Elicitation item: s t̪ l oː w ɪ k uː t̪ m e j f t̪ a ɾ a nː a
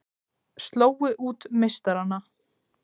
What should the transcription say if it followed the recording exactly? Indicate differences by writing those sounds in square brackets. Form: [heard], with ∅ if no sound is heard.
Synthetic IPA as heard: s t̪ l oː w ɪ [ʔ] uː t̪ m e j [s] t̪ a ɾ a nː a